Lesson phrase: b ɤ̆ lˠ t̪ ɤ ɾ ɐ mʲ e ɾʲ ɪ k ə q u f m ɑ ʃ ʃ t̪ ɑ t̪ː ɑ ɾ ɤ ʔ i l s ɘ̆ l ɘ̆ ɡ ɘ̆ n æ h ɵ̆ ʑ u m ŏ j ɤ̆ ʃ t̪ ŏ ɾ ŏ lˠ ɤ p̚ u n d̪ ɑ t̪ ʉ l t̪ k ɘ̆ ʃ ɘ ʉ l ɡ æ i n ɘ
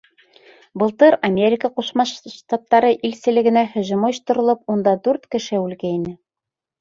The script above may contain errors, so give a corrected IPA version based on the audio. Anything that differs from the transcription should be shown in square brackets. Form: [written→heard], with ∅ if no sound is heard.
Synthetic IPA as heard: b ɤ̆ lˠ t̪ ɤ ɾ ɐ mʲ e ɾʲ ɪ k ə q u [f→ʃ] m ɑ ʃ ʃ t̪ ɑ t̪ː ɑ ɾ ɤ ʔ i l s ɘ̆ l ɘ̆ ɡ ɘ̆ n æ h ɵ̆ ʑ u m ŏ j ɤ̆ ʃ t̪ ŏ ɾ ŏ lˠ ɤ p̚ u n d̪ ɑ [t̪→d̪] ʉ [l→ɾ] t̪ k ɘ̆ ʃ ɘ ʉ l ɡ æ i n ɘ